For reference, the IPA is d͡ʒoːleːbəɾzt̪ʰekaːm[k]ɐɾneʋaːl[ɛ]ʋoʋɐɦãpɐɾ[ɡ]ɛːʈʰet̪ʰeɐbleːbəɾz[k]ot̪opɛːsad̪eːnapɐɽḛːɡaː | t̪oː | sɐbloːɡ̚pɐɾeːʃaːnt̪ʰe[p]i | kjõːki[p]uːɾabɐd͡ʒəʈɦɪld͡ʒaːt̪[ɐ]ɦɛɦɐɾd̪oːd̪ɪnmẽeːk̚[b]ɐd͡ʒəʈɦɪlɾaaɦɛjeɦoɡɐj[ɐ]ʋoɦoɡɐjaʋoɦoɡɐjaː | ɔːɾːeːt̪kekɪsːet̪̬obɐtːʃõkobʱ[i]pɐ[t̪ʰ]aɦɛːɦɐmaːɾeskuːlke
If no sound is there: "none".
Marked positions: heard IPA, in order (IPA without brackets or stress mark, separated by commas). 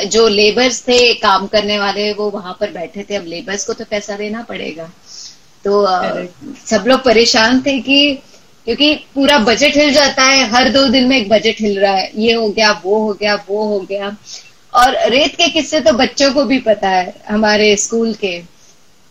k, e, b, k, k, p, a, b, a, i, t̪